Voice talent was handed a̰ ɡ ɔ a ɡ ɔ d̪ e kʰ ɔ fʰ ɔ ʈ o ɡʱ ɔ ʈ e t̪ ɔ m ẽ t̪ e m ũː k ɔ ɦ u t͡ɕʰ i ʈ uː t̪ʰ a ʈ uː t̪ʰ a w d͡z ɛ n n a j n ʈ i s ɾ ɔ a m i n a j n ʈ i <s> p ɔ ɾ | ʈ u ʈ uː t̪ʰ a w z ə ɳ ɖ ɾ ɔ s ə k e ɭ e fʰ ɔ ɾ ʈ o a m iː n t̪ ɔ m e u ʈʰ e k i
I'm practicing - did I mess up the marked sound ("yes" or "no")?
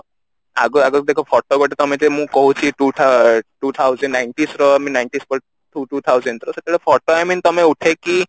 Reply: no